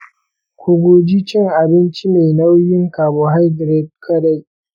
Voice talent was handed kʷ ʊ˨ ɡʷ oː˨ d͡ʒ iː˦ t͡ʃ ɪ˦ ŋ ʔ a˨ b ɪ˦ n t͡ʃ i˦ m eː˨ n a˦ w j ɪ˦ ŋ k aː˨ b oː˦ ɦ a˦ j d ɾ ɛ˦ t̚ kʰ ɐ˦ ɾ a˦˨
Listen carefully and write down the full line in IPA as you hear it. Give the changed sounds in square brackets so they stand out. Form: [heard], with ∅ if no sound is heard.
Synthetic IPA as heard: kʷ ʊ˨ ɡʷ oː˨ d͡ʒ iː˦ t͡ʃ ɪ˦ ŋ ʔ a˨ b ɪ˦ n t͡ʃ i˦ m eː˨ n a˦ w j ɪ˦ ŋ k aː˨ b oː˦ ɦ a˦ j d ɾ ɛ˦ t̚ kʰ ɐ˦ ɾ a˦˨